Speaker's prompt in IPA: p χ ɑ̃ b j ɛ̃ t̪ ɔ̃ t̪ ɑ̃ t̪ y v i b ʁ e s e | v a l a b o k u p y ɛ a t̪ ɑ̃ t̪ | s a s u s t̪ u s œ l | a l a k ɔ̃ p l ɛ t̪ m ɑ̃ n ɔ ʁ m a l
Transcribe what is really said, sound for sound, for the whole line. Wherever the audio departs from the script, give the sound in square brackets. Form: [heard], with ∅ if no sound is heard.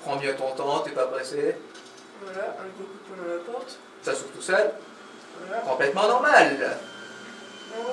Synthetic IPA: p χ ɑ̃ b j ɛ̃ t̪ ɔ̃ t̪ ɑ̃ t̪ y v [a] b ʁ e s e | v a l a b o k u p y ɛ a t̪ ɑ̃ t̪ | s a s u [f] t̪ u s œ l | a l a k ɔ̃ p l ɛ t̪ m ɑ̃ n ɔ ʁ m a l